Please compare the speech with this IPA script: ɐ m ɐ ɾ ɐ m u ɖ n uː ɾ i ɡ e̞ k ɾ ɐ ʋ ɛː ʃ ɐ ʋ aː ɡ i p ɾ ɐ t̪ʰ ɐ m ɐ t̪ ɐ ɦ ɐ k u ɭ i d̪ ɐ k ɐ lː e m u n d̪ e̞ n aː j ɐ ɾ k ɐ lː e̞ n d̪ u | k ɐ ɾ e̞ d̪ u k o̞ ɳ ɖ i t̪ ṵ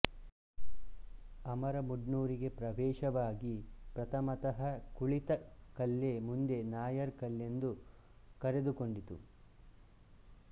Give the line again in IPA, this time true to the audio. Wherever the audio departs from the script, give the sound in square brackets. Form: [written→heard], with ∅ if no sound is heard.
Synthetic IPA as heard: ɐ m ɐ ɾ ɐ m u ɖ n uː ɾ i ɡ e̞ [k→p] ɾ ɐ ʋ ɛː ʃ ɐ ʋ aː ɡ i p ɾ ɐ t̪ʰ ɐ m ɐ t̪ ɐ ɦ ɐ k u ɭ i [d̪→t̪] ɐ k ɐ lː e m u n d̪ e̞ n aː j ɐ ɾ k ɐ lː e̞ n d̪ u | k ɐ ɾ e̞ d̪ u k o̞ ɳ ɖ i t̪ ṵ